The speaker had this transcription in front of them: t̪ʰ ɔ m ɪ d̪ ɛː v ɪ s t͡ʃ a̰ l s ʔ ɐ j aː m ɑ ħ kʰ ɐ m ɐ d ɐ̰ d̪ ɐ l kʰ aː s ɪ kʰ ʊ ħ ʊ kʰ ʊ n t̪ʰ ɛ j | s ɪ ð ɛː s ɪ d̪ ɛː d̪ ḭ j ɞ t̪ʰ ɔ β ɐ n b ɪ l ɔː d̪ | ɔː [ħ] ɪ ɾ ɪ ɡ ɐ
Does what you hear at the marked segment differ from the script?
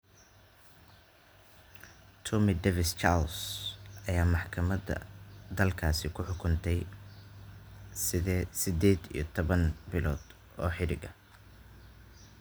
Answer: no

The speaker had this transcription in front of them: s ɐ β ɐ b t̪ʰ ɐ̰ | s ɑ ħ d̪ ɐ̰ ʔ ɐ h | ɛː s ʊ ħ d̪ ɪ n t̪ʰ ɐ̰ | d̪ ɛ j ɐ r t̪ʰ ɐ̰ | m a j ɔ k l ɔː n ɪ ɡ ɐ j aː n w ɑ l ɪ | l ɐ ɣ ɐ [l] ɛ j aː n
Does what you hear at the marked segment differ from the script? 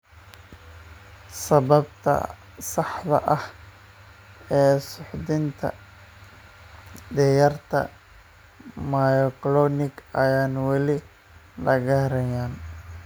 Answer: yes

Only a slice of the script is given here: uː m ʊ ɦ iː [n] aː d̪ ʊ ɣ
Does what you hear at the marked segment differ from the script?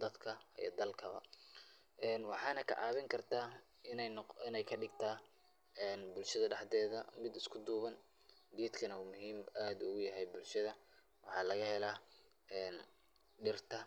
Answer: yes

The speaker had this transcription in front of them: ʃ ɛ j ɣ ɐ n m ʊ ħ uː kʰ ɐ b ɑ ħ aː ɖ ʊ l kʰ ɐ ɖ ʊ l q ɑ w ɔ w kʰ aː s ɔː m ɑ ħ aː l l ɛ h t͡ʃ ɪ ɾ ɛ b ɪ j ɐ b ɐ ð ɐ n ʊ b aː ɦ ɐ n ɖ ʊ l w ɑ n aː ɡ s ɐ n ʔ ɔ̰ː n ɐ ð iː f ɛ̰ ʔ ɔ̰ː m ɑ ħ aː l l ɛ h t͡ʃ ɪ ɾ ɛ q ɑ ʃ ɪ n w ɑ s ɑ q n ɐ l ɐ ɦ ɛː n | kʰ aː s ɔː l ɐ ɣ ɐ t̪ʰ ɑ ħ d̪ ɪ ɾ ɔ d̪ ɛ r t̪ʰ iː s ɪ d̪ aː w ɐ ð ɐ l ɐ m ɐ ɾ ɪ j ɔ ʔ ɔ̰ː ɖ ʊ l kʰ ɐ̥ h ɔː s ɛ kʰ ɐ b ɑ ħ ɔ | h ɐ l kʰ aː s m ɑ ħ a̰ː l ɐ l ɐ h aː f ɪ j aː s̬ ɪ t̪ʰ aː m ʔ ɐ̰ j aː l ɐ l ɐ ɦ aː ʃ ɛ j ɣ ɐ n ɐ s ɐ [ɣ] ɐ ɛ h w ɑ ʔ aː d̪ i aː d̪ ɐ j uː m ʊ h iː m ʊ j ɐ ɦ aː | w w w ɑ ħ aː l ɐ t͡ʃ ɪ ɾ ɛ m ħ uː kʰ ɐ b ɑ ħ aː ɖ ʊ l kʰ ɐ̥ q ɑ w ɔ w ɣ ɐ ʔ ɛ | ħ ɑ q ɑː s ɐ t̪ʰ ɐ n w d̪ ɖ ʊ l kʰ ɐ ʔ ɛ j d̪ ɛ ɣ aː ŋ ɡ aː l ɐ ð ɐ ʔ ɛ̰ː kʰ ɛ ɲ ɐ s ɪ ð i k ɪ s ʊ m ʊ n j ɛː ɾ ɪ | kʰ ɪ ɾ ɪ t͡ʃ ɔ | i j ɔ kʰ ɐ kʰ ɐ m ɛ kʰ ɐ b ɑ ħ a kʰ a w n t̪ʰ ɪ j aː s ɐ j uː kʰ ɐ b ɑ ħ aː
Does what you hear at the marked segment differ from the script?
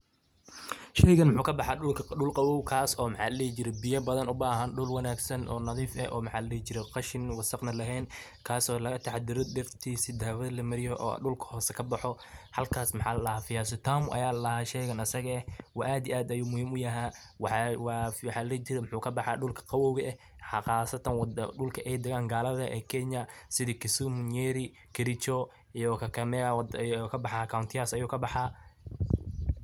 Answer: no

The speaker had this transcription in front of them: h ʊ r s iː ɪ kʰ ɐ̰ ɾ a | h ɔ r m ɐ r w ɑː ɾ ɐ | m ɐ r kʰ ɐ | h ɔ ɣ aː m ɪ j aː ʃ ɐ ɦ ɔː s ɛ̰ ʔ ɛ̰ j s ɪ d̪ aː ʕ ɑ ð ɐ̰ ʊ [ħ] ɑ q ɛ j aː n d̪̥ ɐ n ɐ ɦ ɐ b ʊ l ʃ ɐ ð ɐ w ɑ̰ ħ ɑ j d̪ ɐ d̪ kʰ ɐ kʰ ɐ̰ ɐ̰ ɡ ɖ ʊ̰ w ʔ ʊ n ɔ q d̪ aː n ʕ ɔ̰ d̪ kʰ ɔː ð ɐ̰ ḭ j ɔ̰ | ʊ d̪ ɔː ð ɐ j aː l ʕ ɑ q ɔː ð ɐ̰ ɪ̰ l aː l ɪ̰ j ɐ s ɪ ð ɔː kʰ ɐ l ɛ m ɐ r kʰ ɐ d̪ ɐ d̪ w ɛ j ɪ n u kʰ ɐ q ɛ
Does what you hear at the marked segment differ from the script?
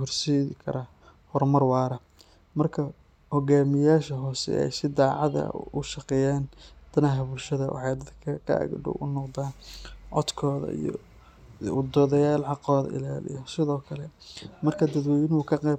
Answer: yes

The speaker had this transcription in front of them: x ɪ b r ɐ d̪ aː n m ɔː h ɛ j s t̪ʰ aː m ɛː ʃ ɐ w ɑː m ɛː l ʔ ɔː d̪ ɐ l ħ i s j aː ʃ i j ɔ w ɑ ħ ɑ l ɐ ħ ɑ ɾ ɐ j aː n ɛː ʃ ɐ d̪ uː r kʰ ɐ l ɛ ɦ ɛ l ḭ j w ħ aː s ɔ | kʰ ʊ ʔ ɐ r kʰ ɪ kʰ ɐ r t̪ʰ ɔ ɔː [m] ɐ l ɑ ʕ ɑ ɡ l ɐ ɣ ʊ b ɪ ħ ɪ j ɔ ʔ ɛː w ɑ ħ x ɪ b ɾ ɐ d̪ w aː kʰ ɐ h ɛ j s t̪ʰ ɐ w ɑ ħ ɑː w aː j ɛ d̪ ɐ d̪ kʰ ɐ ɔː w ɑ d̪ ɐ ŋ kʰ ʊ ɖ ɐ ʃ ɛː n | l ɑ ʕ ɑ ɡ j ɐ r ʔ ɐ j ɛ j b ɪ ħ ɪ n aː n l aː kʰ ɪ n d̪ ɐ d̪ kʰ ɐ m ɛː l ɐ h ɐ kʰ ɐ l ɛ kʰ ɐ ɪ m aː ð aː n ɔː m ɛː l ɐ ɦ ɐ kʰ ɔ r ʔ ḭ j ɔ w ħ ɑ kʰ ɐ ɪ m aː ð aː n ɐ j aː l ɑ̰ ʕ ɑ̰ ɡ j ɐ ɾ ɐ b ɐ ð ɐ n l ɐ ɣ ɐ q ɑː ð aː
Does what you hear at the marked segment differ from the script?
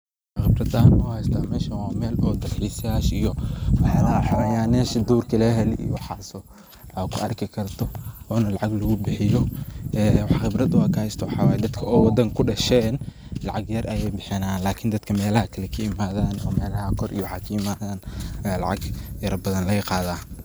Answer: yes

